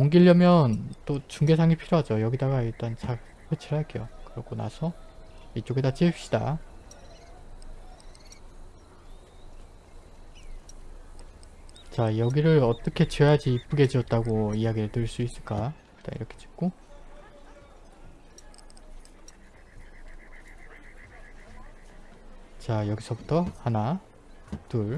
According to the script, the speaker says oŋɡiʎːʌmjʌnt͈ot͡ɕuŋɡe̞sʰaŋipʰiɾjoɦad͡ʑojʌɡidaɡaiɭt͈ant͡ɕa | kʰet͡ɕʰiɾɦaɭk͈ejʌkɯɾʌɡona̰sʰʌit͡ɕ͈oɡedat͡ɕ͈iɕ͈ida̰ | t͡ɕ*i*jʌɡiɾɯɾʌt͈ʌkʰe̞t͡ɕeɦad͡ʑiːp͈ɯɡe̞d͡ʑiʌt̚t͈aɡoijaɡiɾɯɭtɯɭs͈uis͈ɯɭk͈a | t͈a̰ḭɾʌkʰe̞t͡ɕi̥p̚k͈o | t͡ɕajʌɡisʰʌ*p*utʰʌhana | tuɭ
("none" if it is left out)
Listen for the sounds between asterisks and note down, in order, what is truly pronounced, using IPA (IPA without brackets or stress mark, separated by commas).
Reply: a, b